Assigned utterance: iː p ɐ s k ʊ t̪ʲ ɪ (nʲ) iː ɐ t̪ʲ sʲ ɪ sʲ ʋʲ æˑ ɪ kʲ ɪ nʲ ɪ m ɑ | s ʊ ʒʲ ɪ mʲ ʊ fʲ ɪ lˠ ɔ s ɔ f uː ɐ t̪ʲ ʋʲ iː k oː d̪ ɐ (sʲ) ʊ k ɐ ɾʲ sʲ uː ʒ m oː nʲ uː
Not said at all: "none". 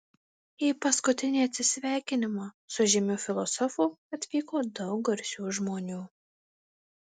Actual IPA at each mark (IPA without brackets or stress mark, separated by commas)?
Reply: nʲ, none